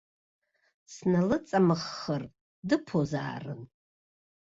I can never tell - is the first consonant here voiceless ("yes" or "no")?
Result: yes